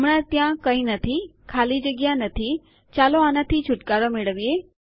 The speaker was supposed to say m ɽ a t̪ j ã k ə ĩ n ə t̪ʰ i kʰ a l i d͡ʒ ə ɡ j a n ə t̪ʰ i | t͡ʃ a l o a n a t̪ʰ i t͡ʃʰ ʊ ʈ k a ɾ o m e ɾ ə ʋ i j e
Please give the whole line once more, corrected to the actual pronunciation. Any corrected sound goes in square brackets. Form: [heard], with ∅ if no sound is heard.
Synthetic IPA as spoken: m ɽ a t̪ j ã k ə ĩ n ə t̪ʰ i kʰ a l i d͡ʒ ə ɡ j a n ə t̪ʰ i | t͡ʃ a l o a n a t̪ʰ i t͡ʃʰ ʊ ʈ k a ɾ o m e [ɭ] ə ʋ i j e